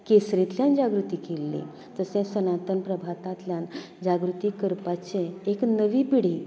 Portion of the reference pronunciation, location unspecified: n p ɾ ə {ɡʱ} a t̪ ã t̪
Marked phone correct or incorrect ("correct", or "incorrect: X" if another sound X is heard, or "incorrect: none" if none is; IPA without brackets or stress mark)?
incorrect: bʱ